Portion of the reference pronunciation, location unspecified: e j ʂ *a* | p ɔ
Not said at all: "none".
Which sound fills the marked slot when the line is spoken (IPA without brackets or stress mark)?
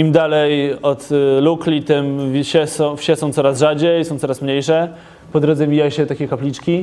ɛ